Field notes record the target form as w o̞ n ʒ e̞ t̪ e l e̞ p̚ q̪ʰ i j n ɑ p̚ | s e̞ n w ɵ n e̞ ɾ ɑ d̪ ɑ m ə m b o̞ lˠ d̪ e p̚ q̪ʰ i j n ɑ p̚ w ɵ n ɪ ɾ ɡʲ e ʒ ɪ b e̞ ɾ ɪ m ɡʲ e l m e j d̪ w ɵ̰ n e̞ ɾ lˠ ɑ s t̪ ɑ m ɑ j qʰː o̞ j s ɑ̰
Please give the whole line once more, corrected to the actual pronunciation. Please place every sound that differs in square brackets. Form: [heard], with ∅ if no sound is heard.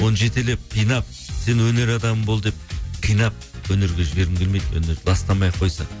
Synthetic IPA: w o̞ n ʒ e̞ t̪ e l e̞ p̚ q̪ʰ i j n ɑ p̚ | s e̞ n w ɵ n e̞ ɾ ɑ d̪ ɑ m ə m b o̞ lˠ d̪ e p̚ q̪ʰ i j n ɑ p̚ w ɵ n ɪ ɾ ɡʲ e ʒ ɪ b e̞ ɾ ɪ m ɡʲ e l m e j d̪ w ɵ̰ n e̞ ɾ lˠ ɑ s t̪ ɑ m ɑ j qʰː o̞ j s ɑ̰